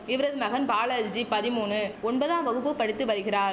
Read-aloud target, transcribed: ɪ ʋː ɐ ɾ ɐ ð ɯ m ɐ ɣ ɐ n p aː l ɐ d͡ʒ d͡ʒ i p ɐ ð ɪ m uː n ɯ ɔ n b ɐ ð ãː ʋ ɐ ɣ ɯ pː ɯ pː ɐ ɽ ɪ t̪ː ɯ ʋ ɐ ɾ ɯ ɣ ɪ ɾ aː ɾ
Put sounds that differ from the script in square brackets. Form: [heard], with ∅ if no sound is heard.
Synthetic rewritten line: ɪ [ʋ] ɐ ɾ ɐ ð ɯ m ɐ ɣ ɐ n p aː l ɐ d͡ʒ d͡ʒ i p ɐ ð ɪ m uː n ɯ ɔ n b ɐ ð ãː ʋ ɐ ɣ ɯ pː ɯ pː ɐ ɽ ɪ t̪ː ɯ ʋ ɐ ɾ ɯ ɣ ɪ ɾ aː ɾ